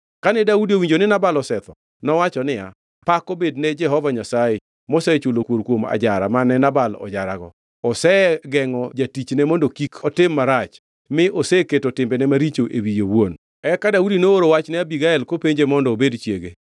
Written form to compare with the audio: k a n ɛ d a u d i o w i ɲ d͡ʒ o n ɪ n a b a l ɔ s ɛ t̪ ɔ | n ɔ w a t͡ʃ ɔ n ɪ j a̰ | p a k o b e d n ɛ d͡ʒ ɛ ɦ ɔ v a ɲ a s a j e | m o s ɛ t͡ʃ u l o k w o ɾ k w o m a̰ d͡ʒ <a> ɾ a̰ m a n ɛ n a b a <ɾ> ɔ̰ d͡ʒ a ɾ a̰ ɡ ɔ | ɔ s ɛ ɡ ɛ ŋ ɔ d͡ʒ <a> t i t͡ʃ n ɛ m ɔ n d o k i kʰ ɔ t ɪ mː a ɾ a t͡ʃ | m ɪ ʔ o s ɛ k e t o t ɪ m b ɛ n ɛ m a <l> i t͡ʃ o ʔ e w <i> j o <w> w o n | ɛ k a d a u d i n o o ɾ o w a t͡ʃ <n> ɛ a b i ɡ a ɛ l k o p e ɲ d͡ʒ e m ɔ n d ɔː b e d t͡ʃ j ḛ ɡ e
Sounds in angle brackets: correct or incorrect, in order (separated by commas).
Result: correct, incorrect, correct, incorrect, correct, correct, correct